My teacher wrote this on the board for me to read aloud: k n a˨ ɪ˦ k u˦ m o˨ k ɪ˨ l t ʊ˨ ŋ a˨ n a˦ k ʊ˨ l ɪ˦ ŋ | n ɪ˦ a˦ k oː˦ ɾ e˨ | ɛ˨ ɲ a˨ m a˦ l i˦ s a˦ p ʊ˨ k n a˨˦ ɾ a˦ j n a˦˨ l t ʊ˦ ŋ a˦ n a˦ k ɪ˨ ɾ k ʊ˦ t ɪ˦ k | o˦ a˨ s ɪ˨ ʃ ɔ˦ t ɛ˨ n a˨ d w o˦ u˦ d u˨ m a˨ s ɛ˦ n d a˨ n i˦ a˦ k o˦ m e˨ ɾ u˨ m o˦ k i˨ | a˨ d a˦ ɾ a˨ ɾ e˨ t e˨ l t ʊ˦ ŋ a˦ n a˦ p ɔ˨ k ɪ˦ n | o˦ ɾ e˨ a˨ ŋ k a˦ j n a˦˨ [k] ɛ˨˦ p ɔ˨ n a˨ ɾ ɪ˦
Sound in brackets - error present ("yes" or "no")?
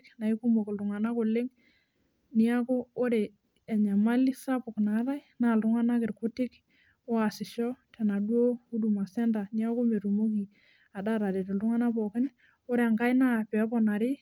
yes